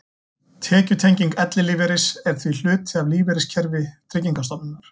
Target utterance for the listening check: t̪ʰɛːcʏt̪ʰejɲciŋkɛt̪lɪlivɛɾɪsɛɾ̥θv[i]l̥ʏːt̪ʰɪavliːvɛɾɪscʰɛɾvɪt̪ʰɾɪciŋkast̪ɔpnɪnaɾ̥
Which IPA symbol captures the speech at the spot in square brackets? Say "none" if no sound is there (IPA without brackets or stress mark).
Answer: i